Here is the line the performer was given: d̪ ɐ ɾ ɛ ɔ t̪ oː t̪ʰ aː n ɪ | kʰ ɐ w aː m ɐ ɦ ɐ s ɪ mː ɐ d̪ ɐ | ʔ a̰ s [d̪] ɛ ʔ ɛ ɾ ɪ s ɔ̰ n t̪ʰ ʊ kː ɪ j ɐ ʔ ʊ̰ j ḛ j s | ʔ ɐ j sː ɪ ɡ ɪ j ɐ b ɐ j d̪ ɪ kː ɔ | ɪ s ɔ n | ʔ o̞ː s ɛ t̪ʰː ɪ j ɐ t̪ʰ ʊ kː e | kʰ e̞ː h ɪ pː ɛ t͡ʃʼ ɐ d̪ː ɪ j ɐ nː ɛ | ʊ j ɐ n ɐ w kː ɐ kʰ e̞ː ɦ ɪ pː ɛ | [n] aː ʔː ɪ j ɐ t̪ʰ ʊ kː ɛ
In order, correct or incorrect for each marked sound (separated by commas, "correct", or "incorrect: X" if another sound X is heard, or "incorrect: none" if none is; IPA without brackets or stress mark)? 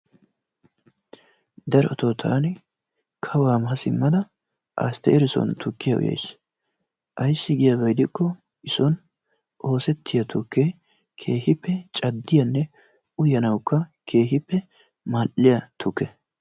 incorrect: t̪, incorrect: m